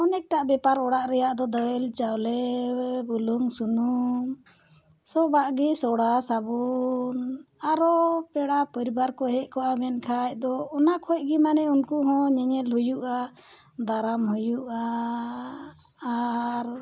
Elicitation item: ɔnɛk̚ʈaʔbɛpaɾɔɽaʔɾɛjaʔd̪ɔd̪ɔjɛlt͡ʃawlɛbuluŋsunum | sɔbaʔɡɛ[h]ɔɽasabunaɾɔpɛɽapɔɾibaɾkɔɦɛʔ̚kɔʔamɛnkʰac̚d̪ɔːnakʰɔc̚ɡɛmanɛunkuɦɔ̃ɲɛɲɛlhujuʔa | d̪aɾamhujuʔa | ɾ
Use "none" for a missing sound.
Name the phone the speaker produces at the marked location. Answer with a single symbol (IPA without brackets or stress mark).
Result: s